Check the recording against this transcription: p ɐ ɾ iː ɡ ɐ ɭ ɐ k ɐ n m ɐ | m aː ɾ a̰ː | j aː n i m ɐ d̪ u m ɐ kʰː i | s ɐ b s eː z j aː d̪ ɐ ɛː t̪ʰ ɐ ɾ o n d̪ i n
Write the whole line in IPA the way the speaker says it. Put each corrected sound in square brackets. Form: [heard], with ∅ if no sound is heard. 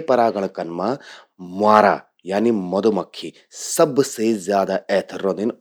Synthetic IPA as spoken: p ɐ ɾ [aː] ɡ ɐ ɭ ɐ k ɐ n m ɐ | m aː ɾ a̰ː | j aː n i m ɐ d̪ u m ɐ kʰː i | s ɐ b s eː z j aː d̪ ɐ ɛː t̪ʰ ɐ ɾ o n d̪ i n